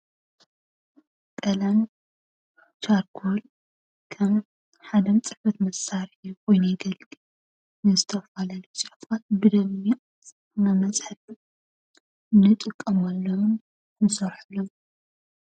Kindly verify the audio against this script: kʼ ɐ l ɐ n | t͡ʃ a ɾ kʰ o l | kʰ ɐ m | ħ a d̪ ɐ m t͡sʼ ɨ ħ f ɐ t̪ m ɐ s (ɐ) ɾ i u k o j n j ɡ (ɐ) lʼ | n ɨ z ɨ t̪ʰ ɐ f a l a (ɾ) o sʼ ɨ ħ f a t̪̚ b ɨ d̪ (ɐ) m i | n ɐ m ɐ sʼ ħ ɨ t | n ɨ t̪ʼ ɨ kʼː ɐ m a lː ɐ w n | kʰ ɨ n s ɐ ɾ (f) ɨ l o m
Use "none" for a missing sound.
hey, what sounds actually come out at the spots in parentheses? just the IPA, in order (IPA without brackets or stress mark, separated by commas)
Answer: a, ɐ, l, ɐ, ħ